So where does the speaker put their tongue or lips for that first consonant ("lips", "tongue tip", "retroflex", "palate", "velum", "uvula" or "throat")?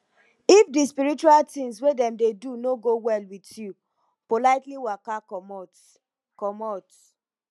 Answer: lips